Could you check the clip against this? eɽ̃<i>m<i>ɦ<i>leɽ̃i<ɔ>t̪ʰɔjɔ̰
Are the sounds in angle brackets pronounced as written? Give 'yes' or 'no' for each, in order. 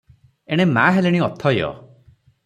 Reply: no, no, no, yes

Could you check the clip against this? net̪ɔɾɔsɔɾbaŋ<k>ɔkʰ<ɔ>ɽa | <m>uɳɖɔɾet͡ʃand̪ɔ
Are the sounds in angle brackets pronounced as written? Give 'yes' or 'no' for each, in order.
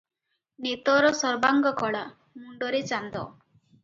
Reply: no, yes, yes

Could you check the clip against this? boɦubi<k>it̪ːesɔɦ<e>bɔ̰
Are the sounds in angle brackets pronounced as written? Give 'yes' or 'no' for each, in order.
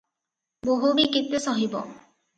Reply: yes, no

